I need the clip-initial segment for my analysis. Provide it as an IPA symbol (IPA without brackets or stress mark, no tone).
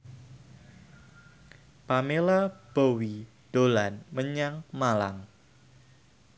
p